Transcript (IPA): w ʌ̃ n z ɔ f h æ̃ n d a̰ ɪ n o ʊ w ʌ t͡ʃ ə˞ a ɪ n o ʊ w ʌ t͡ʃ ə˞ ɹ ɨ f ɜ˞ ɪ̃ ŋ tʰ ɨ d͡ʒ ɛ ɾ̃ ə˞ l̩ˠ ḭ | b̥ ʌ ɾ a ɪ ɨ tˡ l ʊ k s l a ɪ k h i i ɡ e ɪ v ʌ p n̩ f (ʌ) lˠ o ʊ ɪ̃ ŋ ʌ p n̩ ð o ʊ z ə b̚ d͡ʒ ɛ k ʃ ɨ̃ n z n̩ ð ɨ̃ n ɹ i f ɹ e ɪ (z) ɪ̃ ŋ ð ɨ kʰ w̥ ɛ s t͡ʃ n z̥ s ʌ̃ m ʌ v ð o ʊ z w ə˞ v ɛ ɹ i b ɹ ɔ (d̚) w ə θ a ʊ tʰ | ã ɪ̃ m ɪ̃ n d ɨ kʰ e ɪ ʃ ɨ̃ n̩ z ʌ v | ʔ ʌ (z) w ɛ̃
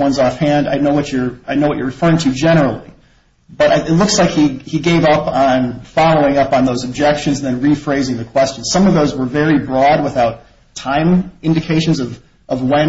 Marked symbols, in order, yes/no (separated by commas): no, yes, yes, no